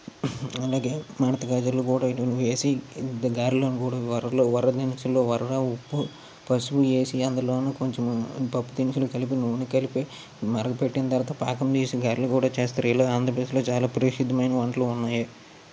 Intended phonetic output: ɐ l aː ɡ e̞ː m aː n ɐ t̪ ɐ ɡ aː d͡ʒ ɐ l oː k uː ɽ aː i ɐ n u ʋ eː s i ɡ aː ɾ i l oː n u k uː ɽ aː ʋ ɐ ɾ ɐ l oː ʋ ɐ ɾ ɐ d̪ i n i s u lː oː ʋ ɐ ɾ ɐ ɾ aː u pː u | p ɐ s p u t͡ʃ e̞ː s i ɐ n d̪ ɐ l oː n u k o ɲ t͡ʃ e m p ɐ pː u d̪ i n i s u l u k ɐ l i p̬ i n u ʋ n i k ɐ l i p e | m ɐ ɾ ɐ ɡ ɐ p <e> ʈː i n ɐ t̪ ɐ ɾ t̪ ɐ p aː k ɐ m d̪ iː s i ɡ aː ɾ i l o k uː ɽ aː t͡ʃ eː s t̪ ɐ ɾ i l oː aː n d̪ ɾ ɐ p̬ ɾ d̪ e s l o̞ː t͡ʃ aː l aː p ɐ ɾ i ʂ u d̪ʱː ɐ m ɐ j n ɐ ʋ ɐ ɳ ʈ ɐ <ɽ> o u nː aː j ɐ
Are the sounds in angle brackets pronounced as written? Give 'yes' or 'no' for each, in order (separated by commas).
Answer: yes, no